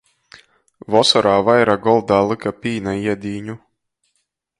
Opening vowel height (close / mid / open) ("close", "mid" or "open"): mid